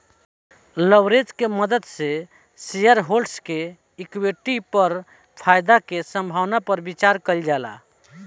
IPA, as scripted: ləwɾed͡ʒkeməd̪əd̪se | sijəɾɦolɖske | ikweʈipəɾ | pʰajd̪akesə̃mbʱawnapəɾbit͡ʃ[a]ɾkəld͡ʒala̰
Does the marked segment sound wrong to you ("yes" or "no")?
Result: no